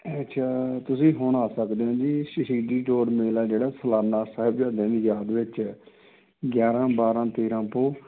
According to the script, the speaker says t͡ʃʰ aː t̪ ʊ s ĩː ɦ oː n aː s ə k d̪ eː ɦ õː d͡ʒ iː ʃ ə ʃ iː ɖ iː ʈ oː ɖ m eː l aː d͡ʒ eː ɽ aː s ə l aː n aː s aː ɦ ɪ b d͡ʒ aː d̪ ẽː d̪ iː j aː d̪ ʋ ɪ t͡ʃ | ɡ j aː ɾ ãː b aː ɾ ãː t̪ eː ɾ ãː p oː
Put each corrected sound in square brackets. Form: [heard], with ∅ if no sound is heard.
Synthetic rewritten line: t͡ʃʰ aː t̪ ʊ s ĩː ɦ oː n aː s ə k d̪ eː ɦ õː d͡ʒ iː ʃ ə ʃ iː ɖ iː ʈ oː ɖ m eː l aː d͡ʒ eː ɽ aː s ə l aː n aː s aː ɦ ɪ b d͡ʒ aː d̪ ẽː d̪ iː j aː d̪ ʋ ɪ t͡ʃ | ɡ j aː ɾ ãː b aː ɾ ãː t̪ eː ɾ ãː p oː

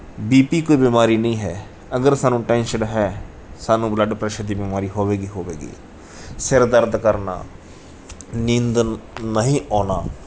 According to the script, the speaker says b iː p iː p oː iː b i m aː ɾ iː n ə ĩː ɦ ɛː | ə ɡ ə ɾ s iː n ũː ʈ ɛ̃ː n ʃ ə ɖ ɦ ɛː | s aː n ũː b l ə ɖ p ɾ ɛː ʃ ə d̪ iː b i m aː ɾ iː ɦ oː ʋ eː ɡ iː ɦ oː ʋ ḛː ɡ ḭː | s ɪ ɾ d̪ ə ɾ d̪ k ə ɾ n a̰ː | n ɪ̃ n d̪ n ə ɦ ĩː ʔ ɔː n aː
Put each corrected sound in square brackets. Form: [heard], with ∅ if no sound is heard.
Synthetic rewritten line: b iː p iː [k] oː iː b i m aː ɾ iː n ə ĩː ɦ ɛː | ə ɡ ə ɾ s [aː] n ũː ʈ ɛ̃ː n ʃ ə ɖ ɦ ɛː | s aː n ũː b l ə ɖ p ɾ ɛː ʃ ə d̪ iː b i m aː ɾ iː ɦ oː ʋ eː ɡ iː ɦ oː ʋ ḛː ɡ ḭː | s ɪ ɾ d̪ ə ɾ d̪ k ə ɾ n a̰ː | n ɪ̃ n d̪ n ə ɦ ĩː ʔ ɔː n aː

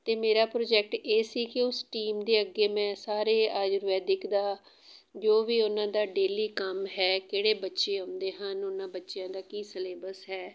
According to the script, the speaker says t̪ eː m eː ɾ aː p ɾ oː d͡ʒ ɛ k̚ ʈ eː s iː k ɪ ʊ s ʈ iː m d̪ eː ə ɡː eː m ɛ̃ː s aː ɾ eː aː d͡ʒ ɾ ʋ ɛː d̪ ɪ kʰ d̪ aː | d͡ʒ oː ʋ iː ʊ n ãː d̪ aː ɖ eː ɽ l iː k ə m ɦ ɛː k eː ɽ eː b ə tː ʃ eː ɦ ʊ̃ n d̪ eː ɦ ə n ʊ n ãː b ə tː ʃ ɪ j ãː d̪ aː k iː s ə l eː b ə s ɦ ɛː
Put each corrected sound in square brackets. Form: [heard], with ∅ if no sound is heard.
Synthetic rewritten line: t̪ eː m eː ɾ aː p ɾ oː d͡ʒ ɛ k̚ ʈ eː s iː k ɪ ʊ s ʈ iː m d̪ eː ə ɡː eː m ɛ̃ː s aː ɾ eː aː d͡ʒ ɾ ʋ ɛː d̪ ɪ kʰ d̪ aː | d͡ʒ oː ʋ iː ʊ n ãː d̪ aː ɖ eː [∅] l iː k ə m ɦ ɛː k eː ɽ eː b ə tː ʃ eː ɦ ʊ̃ n d̪ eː ɦ ə n ʊ n ãː b ə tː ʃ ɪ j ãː d̪ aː k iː s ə l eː b ə s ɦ ɛː

